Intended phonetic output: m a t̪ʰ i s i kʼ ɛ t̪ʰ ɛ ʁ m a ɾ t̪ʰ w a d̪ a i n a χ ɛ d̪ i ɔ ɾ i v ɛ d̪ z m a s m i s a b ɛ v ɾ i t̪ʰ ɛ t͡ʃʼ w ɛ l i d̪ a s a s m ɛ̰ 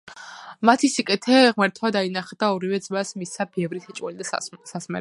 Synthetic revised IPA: m a t̪ʰ i s i kʼ ɛ t̪ʰ ɛ ʁ m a ɾ t̪ʰ w a d̪ a i n a χ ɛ d̪ a ɔ ɾ i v ɛ d̪ z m a s m i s a b ɛ v ɾ i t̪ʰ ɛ t͡ʃʼ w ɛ l i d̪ a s a s m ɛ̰